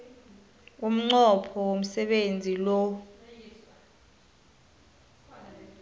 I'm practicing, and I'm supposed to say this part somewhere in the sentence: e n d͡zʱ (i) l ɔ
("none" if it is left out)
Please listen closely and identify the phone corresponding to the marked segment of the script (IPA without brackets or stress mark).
i